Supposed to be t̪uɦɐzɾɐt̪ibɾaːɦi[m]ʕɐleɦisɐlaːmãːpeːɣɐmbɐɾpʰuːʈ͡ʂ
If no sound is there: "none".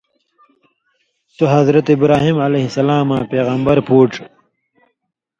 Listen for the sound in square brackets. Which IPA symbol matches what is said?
m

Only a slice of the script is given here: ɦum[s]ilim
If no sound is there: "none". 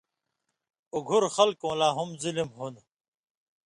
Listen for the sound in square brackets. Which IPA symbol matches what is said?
z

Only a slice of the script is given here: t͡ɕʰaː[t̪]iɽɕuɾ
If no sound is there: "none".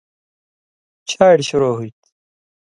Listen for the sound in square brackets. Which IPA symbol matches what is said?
none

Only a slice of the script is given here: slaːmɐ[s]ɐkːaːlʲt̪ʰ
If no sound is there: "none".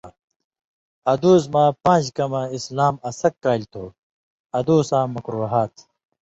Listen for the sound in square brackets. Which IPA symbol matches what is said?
s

